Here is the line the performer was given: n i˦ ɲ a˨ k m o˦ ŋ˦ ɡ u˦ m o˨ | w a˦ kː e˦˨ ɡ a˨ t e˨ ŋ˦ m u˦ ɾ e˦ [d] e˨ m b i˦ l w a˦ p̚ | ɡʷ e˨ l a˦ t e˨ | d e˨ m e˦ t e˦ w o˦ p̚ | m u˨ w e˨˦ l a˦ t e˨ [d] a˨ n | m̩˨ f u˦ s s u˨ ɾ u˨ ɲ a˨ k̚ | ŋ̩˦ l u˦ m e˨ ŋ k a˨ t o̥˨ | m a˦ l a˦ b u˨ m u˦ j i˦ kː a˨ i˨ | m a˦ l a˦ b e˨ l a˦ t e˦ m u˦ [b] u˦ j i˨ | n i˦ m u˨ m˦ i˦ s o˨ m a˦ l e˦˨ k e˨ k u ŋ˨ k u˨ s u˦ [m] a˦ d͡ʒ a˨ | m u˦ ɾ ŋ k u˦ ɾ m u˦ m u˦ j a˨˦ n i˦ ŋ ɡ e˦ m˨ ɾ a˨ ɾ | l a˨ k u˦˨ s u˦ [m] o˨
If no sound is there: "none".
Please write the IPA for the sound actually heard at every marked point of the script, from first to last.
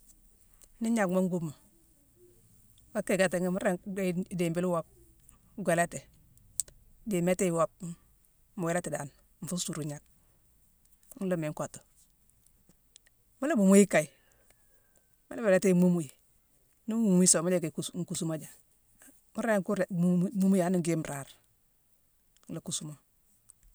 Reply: d, d, m, m, m

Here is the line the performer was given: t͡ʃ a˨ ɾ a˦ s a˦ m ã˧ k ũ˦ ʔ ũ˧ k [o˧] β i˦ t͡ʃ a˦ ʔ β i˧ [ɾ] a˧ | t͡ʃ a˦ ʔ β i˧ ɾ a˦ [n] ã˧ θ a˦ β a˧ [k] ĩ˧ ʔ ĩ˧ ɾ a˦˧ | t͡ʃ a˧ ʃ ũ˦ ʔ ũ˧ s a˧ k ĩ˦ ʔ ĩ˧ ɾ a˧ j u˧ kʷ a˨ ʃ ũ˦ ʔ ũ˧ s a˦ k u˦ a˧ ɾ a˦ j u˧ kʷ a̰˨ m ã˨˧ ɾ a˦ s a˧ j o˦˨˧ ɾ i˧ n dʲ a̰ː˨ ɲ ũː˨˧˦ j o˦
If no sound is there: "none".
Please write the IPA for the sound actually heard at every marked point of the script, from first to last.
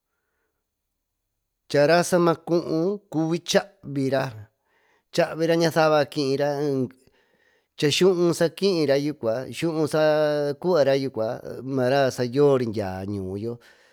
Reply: u˧, ɾ, ɲ, k

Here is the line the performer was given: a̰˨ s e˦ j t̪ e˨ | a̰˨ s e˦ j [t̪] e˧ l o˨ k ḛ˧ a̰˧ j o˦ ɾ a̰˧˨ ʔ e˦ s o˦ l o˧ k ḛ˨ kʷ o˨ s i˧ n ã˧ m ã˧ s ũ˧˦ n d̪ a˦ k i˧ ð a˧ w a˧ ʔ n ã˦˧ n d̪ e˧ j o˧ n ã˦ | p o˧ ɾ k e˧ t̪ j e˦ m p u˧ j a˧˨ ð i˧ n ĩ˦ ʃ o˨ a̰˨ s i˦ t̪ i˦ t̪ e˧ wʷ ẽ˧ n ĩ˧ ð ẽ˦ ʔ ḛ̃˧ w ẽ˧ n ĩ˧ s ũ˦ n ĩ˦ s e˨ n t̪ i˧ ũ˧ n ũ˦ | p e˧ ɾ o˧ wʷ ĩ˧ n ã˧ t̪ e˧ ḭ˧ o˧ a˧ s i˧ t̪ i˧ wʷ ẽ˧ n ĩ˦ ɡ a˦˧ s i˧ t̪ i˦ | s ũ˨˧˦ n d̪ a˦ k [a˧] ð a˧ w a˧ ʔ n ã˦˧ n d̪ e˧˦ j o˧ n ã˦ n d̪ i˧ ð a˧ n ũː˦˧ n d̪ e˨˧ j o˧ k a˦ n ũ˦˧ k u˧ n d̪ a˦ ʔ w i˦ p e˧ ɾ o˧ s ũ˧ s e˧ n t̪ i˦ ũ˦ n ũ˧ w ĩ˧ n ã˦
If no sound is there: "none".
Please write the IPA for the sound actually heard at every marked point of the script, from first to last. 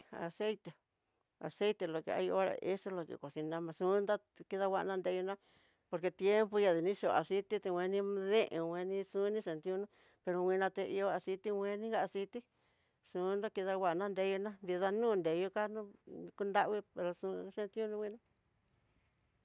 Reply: t̪, i˧

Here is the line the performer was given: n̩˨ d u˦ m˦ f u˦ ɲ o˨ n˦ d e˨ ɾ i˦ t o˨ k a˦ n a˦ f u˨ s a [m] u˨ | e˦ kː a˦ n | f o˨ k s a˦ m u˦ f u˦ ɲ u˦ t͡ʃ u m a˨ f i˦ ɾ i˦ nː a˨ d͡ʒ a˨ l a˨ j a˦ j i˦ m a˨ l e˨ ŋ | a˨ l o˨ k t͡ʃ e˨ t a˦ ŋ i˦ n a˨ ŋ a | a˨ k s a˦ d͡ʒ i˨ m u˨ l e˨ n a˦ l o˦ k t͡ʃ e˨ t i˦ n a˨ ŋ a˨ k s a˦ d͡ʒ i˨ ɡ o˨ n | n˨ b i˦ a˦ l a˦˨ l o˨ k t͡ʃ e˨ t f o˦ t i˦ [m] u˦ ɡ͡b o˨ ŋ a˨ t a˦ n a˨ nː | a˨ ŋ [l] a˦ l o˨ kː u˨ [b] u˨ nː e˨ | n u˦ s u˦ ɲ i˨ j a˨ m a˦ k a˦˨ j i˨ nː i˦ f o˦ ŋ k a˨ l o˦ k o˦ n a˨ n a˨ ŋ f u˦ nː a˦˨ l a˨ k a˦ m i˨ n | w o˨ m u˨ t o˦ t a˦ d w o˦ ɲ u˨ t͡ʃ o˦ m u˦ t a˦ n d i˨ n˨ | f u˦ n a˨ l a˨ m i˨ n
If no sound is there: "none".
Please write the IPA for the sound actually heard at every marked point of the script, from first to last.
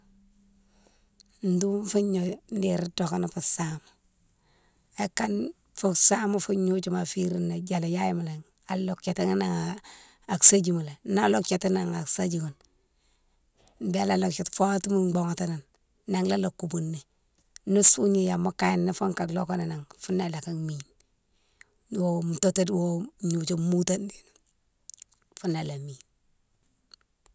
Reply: m, m, l, b

